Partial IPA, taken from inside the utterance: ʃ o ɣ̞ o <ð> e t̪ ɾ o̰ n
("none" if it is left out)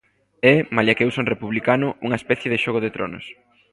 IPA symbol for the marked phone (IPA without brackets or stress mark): ð